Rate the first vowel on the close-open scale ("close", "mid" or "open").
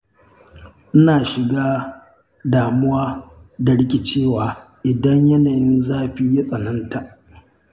close